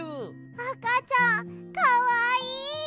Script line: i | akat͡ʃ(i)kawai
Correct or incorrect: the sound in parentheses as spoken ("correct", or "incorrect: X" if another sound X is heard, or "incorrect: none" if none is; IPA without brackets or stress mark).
incorrect: a